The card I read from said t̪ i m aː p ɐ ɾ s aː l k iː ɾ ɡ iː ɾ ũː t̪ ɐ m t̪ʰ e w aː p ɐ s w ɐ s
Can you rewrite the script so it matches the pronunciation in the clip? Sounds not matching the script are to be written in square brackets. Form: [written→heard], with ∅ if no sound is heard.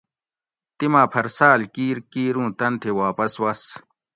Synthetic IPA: t̪ i m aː [p→pʰ] ɐ ɾ s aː l k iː ɾ [ɡ→k] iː ɾ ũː t̪ ɐ [m→n] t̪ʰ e w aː p ɐ s w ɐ s